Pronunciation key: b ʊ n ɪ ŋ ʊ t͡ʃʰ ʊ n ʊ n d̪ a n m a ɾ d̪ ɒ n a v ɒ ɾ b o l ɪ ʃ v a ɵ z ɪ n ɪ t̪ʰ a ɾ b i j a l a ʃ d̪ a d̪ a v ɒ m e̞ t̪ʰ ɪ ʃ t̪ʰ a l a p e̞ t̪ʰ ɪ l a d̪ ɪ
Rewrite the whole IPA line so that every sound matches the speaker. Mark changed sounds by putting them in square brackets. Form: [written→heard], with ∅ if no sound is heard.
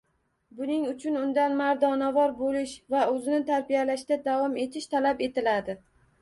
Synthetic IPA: b ʊ n ɪ ŋ ʊ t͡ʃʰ ʊ n ʊ n d̪ a n m a ɾ d̪ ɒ n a v ɒ ɾ b o l ɪ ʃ v a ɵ z ɪ n ɪ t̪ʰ a ɾ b i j a l a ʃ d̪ a d̪ a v ɒ m e̞ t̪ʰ ɪ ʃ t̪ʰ a l a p e̞ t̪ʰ ɪ l a d̪ ɪ

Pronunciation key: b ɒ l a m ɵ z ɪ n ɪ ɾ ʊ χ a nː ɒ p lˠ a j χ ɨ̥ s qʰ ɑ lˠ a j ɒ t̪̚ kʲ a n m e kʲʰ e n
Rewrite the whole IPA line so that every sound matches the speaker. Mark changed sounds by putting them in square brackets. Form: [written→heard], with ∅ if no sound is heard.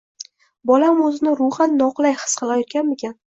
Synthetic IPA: b ɒ l a m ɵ z ɪ n ɪ ɾ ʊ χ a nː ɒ [p→q] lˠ a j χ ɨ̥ s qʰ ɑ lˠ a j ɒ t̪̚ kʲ a n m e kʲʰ [e→a] n

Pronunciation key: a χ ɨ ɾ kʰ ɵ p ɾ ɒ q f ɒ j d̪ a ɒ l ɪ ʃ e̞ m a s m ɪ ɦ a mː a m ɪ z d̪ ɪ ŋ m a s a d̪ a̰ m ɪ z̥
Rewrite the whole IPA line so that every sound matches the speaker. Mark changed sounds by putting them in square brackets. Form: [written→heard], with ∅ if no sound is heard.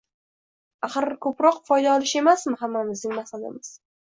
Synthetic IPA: a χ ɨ ɾ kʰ ɵ p ɾ ɒ q f ɒ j d̪ a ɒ l ɪ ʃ e̞ m a s m ɪ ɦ a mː a m ɪ z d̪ ɪ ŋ m a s a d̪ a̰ m ɪ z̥

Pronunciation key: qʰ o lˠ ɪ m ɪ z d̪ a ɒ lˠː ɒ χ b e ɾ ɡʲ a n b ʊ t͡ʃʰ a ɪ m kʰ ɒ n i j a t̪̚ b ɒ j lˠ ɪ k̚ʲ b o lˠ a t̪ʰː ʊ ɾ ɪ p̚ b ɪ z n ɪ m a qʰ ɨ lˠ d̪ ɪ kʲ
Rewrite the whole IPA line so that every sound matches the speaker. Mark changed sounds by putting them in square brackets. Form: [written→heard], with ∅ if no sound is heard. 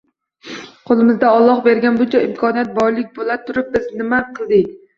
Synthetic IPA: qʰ o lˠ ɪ m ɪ z d̪ a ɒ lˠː ɒ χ b e ɾ ɡʲ a n b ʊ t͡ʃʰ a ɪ m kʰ ɒ n i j a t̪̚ b ɒ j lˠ ɪ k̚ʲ b o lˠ a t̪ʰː ʊ ɾ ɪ p̚ b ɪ z n ɪ m a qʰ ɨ lˠ d̪ ɪ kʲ

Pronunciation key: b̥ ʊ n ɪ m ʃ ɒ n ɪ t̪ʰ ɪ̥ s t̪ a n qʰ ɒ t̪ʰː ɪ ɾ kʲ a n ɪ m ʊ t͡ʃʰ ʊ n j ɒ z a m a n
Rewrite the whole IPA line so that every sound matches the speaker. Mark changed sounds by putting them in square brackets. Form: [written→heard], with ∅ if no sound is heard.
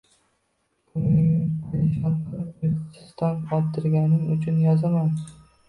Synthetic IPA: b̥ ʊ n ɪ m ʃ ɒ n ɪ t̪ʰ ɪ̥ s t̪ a n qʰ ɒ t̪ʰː ɪ ɾ [kʲ→ɡʲ] a n ɪ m ʊ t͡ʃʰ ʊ n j ɒ z a m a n

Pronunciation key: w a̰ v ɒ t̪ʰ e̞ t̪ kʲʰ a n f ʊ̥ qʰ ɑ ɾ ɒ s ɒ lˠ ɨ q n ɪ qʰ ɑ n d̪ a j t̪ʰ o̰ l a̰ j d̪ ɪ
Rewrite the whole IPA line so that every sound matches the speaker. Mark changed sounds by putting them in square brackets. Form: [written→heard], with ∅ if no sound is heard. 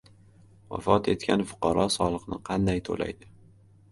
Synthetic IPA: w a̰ [v→f] ɒ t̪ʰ e̞ t̪ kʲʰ a n f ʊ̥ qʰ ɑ ɾ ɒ s ɒ lˠ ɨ q n ɪ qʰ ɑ n d̪ a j t̪ʰ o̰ l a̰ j d̪ ɪ

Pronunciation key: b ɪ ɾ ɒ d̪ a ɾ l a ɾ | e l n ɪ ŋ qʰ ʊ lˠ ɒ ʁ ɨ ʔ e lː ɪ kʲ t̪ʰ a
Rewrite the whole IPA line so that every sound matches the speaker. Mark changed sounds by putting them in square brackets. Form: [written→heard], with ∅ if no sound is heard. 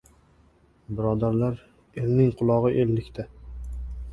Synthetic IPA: b ɪ ɾ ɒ d̪ a ɾ l a ɾ | e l n ɪ ŋ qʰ ʊ lˠ ɒ ʁ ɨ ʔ e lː ɪ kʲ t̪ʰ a

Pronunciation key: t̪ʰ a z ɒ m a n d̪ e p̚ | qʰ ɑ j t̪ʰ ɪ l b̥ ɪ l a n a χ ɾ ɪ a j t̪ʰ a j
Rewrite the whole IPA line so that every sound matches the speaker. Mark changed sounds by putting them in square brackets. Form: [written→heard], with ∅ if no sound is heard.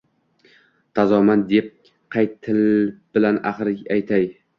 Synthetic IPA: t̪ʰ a z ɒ m a n d̪ e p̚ | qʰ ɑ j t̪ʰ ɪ l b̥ ɪ l a n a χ ɾ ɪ a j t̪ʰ a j

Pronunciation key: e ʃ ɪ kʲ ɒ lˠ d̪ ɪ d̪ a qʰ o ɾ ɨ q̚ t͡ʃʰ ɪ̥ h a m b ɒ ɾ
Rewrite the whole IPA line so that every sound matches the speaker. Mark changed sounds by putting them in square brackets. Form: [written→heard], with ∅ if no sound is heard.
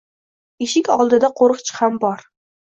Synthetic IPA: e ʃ ɪ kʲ ɒ lˠ d̪ ɪ d̪ a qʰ o ɾ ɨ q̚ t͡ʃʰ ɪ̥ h a m b ɒ ɾ

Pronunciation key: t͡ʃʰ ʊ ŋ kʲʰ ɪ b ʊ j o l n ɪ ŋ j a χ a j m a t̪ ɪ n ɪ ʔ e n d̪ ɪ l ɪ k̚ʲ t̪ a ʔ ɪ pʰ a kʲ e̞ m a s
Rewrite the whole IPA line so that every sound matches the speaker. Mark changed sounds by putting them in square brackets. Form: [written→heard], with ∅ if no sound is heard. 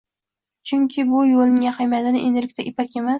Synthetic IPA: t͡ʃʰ ʊ ŋ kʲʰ ɪ b ʊ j o l n ɪ ŋ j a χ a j m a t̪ ɪ n ɪ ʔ e n d̪ ɪ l ɪ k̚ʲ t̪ a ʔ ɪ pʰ a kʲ e̞ m a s

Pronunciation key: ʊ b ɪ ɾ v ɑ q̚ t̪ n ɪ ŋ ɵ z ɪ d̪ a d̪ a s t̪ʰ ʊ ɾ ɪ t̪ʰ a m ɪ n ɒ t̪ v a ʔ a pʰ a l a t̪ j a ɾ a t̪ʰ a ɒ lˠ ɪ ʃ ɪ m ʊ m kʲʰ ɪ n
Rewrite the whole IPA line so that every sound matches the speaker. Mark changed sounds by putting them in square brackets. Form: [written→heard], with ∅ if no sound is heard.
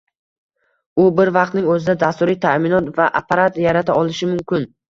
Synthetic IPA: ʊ b ɪ ɾ v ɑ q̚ t̪ n ɪ ŋ ɵ z ɪ d̪ a d̪ a s [t̪ʰ→t̪] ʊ ɾ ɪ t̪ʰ a m ɪ n ɒ t̪ v a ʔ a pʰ a [l→ɾ] a t̪ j a ɾ a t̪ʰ a ɒ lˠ ɪ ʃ ɪ m ʊ m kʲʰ ɪ n

